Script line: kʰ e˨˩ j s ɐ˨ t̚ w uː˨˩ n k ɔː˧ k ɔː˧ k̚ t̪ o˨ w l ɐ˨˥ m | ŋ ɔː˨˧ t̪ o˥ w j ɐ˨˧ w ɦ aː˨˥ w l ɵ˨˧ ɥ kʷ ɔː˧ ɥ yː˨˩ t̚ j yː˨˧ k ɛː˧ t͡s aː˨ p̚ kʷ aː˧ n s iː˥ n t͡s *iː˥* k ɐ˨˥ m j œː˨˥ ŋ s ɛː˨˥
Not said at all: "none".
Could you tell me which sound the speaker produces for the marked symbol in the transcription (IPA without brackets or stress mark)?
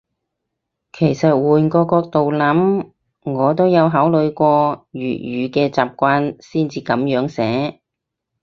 iː˧